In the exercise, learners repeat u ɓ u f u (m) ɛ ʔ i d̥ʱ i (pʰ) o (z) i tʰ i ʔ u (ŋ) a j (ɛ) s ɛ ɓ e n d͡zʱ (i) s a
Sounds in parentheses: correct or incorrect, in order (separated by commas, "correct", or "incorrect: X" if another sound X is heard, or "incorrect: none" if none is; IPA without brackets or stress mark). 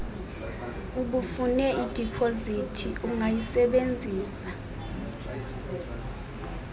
incorrect: n, correct, correct, correct, incorrect: i, incorrect: iː